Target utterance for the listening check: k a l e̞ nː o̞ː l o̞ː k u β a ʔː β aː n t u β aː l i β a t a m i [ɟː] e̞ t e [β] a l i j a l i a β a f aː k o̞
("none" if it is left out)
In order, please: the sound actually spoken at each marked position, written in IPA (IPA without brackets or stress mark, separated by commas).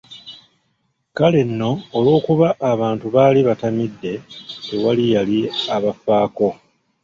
dː, w